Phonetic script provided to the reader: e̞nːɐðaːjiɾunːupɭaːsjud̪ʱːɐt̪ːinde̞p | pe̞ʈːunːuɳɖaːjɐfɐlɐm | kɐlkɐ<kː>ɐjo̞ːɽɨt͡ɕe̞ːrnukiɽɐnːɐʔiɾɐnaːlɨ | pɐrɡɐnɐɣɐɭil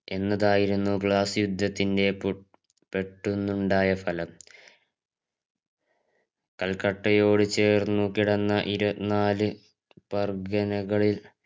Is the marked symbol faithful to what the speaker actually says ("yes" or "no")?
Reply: no